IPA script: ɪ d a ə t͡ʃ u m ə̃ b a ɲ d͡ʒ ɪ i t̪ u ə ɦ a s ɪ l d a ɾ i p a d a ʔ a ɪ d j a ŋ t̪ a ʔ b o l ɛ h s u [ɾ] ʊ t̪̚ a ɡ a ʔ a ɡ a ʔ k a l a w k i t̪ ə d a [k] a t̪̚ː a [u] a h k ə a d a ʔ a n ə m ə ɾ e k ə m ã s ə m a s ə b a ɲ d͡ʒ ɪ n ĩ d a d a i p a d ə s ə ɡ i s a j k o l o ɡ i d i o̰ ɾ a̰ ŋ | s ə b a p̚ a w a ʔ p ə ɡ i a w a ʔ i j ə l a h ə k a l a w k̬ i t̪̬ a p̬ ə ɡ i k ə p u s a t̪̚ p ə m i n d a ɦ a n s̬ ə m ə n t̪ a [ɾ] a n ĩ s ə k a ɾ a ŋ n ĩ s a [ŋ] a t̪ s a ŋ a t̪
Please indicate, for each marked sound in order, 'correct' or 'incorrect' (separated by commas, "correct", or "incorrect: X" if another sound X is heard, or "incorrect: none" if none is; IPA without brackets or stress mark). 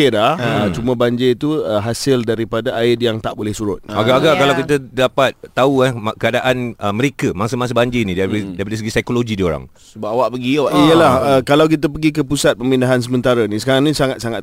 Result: correct, incorrect: p, correct, correct, correct